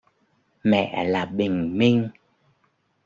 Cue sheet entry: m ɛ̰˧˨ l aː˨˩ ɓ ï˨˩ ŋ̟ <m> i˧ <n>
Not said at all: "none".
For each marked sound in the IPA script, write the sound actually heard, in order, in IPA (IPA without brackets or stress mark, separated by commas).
m, ŋ